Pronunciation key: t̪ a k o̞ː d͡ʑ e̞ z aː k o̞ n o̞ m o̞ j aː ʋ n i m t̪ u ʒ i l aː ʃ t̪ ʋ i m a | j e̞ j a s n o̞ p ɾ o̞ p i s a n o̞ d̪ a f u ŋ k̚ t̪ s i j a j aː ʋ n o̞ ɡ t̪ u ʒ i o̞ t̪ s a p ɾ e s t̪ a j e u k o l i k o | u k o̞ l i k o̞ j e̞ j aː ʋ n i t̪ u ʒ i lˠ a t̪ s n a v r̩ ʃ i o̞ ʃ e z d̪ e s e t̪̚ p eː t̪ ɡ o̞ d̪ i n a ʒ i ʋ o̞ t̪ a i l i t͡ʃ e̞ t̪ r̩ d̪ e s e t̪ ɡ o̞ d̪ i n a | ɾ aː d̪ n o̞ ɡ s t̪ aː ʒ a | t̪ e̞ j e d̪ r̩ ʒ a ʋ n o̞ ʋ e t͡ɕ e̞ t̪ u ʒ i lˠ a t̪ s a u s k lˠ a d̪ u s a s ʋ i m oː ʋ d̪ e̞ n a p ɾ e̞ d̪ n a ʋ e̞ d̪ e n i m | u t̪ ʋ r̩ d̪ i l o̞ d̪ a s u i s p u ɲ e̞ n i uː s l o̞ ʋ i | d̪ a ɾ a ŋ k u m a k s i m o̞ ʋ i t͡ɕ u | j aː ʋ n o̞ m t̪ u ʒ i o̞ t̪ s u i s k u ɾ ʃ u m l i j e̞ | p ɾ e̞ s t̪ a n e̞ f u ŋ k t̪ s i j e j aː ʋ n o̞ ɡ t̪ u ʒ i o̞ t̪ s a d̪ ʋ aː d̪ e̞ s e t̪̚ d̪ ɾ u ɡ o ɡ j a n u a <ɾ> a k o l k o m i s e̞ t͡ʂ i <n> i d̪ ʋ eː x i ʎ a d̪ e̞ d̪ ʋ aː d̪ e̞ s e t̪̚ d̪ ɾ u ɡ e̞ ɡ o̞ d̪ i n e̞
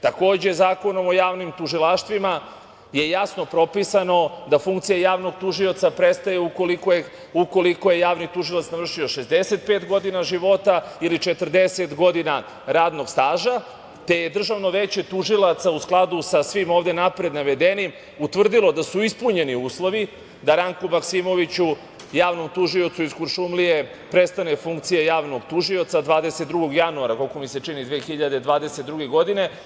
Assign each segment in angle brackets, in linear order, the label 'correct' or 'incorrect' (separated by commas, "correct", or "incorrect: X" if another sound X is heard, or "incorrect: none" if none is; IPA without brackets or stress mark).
correct, correct